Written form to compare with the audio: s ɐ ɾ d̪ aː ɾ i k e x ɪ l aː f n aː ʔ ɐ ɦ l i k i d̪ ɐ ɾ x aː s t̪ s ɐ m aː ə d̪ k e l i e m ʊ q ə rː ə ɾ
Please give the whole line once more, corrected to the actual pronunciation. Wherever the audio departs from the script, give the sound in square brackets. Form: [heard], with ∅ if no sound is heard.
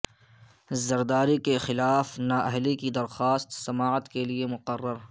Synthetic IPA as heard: [z] ɐ ɾ d̪ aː ɾ i k e x ɪ l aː f n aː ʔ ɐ ɦ l i k i d̪ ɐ ɾ x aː s t̪ s ɐ m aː ə [t̪] k e l i e m ʊ q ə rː ə ɾ